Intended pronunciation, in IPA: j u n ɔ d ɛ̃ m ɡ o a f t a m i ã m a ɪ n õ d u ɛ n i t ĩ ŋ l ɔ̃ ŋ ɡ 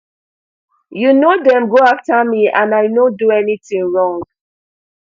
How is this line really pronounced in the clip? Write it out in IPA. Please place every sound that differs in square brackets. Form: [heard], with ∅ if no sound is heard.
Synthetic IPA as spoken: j u n [o] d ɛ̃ m ɡ o a f t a m i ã [n] a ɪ n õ d u ɛ n i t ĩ ŋ [ɹ] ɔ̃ ŋ ɡ